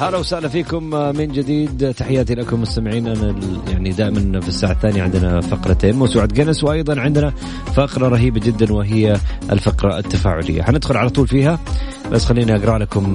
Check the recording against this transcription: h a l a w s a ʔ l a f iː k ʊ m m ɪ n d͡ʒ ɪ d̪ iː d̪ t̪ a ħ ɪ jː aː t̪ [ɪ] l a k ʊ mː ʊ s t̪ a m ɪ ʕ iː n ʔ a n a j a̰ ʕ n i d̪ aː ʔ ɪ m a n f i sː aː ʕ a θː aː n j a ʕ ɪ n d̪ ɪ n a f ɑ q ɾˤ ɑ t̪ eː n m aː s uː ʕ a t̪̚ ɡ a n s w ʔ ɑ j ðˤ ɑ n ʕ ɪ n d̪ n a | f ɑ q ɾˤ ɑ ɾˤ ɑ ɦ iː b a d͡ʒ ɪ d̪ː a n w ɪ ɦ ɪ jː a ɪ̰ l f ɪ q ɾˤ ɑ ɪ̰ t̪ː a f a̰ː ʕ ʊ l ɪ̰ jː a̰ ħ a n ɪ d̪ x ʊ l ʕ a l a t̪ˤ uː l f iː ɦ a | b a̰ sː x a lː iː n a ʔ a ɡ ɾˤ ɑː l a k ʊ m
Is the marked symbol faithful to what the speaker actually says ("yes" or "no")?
no